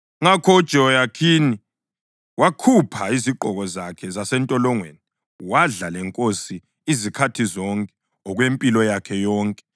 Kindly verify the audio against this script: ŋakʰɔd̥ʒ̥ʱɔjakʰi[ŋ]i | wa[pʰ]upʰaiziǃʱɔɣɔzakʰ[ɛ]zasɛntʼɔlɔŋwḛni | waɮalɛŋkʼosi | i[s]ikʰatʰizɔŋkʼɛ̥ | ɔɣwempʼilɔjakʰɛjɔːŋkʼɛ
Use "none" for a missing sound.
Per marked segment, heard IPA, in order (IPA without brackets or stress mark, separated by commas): n, kʰ, ɛ, z